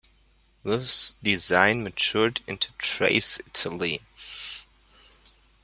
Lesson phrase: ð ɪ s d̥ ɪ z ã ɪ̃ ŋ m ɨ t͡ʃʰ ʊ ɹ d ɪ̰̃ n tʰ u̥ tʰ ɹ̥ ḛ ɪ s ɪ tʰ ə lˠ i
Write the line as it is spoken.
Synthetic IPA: ð ɪ s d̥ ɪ z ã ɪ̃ n m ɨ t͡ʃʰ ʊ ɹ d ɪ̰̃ n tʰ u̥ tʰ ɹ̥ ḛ ɪ s ɪ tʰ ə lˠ i